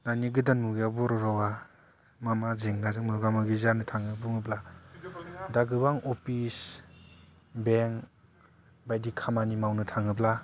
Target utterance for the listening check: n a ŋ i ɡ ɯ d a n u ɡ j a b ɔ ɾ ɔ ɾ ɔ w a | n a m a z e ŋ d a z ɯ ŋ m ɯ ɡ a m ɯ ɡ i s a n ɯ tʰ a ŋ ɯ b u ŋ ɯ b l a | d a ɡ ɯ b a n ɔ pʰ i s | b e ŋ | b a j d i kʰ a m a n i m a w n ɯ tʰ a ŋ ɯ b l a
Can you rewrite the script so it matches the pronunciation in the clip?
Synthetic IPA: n a n i ɡ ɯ d a n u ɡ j a b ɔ ɾ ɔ ɾ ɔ w a | m a m a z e ŋ n a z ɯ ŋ m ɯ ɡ a m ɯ ɡ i z a n ɯ tʰ a ŋ ɯ b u ŋ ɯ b l a | d a ɡ ɯ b a ŋ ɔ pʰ i s | b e ŋ | b a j d i kʰ a m a n i m a w n ɯ tʰ a ŋ ɯ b l a